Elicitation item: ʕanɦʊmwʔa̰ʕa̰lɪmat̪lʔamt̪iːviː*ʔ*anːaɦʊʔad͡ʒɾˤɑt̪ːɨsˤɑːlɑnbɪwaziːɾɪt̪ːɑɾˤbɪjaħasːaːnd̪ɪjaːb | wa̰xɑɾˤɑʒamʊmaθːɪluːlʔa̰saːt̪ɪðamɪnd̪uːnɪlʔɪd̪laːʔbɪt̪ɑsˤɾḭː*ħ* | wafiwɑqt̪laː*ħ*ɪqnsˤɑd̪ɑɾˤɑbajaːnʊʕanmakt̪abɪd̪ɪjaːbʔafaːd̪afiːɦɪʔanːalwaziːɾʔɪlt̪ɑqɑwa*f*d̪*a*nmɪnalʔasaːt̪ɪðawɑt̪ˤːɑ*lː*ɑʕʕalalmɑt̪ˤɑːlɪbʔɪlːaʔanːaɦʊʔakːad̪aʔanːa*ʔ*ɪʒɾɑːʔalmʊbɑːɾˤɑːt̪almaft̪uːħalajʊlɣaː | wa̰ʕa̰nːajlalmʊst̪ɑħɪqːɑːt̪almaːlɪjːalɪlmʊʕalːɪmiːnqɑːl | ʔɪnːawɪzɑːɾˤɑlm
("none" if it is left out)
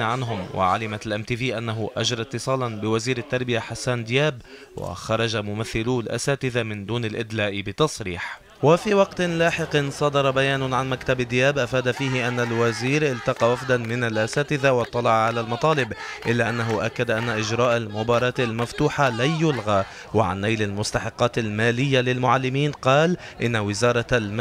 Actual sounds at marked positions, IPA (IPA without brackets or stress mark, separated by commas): ʔ, ħ, ħ, f, a, l, ʔ